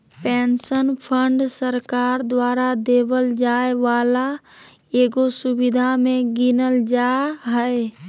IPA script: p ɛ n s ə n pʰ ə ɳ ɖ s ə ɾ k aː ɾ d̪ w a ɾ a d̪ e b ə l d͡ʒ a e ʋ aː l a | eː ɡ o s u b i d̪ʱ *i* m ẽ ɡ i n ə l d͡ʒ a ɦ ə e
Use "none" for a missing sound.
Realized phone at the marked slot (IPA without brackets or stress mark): a